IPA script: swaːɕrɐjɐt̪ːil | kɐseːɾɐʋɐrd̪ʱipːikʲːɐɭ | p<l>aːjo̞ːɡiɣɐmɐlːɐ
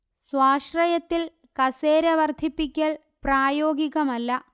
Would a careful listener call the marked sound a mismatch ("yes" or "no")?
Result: yes